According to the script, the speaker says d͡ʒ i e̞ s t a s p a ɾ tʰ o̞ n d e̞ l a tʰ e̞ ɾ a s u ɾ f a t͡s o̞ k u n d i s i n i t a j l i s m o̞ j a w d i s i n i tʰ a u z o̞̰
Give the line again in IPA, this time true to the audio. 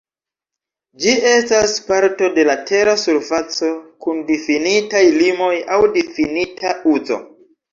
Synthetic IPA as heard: d͡ʒ i e̞ s t a s p a ɾ t o̞ d e̞ l a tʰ e̞ ɾ a s u ɾ f a t͡s o̞ k u n d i f i n i t a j l i m o̞ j a w d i f i n i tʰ a u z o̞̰